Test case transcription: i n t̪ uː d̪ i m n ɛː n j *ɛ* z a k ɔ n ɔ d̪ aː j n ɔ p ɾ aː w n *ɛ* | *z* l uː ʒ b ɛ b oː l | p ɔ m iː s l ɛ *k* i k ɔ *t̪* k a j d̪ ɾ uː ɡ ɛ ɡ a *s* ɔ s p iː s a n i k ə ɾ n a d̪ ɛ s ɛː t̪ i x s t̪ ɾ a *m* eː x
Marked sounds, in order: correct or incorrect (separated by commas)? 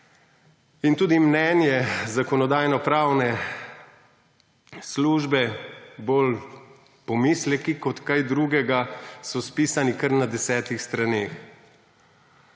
correct, correct, incorrect, correct, correct, correct, incorrect